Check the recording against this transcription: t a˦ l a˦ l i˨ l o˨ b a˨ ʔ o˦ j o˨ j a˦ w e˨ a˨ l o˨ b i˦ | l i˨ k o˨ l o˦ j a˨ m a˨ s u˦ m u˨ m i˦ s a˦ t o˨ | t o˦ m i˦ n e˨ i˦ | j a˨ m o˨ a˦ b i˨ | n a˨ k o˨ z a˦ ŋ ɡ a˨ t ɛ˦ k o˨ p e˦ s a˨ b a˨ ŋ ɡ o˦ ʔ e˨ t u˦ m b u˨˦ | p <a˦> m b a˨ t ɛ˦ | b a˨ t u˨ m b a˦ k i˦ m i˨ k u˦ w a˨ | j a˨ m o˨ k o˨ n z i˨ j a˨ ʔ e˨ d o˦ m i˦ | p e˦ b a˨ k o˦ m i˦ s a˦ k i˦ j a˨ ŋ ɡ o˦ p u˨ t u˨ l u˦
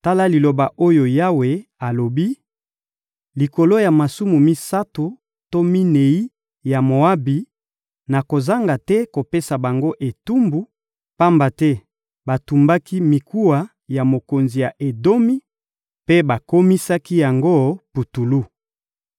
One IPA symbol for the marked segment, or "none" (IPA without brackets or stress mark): a˦